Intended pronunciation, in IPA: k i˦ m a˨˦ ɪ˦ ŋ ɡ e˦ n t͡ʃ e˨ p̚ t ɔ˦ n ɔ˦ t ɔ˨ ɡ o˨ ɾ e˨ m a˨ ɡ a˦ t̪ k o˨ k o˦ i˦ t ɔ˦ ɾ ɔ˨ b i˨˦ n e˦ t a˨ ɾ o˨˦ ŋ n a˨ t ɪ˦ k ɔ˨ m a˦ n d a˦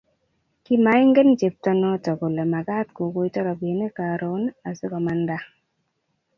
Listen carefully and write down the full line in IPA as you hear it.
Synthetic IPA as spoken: k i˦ m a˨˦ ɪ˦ ŋ ɡ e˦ n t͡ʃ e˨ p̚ t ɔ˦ n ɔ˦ t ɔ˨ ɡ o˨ l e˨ m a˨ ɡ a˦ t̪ k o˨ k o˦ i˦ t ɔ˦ ɾ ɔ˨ b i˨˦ n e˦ k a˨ ɾ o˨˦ n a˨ s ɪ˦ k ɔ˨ m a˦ n d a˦